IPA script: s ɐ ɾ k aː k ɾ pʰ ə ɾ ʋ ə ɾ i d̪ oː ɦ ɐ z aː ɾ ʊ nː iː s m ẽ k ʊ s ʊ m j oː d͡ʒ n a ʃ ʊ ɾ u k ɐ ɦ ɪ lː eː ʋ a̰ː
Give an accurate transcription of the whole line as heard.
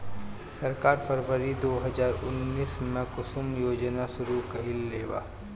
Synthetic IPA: s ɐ ɾ k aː ɾ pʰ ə ɾ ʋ ə ɾ i d̪ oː ɦ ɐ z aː ɾ ʊ nː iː s m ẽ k ʊ s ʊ m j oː d͡ʒ n a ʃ ʊ ɾ u k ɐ ɦ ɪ lː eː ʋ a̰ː

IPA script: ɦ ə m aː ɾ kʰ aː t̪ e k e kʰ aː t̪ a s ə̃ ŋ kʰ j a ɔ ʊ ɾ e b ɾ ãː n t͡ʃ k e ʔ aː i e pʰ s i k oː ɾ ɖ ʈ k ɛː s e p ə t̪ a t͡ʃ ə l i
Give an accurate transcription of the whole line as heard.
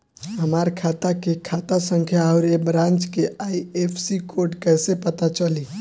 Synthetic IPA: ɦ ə m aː ɾ kʰ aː t̪ a k e kʰ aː t̪ a s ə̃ ŋ kʰ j a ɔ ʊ ɾ e b ɾ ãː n t͡ʃ k e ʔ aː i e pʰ s i k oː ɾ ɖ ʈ k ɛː s e p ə t̪ a t͡ʃ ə l i

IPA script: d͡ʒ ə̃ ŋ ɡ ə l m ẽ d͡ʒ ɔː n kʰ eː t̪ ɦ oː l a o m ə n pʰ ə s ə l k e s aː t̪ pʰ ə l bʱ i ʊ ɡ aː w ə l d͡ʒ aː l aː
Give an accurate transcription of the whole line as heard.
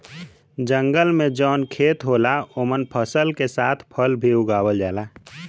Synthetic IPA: d͡ʒ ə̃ ŋ ɡ ə l m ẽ d͡ʒ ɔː n kʰ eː t̪ ɦ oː l a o m ə n pʰ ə s ə l k e s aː t̪ʰ pʰ ə l bʱ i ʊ ɡ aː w ə l d͡ʒ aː l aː

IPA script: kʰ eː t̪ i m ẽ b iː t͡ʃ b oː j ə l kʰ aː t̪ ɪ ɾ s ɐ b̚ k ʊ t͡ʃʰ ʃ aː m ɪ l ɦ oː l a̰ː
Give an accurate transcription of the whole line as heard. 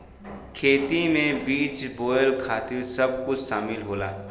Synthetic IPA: kʰ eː t̪ i m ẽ b iː t͡ʃ b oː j ə l kʰ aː t̪ ɪ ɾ s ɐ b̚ k ʊ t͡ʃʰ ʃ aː m ɪ l ɦ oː l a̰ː

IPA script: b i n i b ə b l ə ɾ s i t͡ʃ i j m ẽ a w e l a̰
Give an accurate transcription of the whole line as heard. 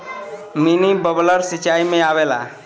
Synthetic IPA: m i n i b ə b l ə ɾ s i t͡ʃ a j m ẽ a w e l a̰

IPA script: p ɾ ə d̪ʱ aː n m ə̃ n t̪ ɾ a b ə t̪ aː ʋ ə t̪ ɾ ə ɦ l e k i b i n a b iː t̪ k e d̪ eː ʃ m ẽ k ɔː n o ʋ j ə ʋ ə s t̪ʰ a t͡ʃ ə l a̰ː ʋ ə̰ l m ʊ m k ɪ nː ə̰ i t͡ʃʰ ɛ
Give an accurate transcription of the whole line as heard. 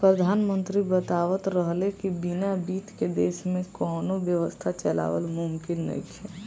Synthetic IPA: p ɾ ə d̪ʱ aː n m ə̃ n t̪ ɾ i b ə t̪ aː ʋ ə t̪ ɾ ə ɦ l e k i b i n a b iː t̪ k e d̪ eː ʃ m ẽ k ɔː n o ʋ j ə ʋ ə s t̪ʰ a t͡ʃ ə l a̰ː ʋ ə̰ l m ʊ m k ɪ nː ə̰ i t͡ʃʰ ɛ

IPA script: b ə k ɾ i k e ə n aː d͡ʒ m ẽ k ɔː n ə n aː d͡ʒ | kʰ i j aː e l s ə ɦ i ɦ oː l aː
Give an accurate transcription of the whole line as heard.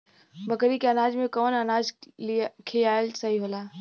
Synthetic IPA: b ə k ɾ i k e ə n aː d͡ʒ m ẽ k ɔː n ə n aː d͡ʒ | kʰ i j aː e l s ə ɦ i ɦ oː l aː

